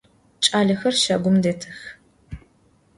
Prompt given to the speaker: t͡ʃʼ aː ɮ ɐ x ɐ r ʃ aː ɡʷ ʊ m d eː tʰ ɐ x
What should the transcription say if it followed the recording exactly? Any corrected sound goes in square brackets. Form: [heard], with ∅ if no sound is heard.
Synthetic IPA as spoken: t͡ʃʼ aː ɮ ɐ x ɐ r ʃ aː ɡʷ ʊ m d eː tʰ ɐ x